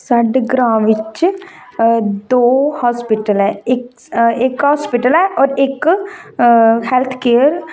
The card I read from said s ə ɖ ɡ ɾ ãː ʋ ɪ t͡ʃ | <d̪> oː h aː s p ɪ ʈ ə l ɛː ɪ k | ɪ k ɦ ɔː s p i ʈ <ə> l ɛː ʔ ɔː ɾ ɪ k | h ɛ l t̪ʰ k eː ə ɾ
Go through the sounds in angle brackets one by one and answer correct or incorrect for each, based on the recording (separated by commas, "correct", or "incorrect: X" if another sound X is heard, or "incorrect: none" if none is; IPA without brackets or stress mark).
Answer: correct, correct